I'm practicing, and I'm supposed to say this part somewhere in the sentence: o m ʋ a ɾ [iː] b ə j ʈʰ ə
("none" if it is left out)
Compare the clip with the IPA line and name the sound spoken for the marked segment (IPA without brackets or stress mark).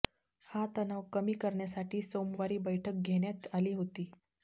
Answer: iː